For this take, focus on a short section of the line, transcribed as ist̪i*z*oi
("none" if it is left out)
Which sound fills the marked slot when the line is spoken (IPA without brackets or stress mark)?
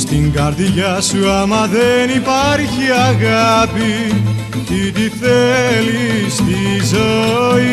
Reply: z